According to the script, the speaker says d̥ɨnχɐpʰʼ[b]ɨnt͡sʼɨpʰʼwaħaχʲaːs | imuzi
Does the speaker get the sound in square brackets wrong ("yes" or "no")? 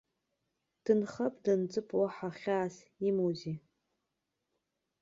yes